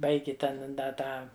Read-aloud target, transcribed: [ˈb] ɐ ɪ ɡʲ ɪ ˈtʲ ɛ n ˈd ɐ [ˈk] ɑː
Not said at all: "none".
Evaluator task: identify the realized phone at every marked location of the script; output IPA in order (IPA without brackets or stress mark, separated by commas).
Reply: b, t